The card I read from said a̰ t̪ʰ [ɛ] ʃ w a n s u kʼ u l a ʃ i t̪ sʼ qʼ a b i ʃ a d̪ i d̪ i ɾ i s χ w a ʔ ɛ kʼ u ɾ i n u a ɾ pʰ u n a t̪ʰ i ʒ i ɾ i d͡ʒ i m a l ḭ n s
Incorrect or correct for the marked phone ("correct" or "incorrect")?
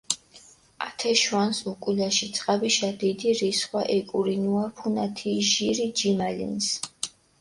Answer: correct